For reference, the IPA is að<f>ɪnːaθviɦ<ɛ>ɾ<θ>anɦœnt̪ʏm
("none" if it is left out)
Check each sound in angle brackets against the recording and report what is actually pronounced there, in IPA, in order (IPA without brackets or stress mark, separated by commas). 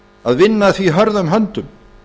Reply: v, œ, ð